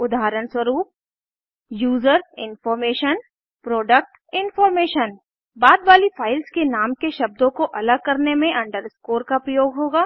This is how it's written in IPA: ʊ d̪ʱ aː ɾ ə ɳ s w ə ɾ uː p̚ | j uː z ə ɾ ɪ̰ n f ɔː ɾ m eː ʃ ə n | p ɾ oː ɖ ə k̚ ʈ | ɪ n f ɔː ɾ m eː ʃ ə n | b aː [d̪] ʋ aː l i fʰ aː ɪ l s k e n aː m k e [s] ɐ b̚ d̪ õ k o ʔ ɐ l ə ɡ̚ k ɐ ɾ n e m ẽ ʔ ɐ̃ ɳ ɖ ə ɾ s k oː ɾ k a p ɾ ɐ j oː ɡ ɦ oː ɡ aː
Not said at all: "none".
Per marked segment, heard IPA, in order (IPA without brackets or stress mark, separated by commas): d̪, ʃ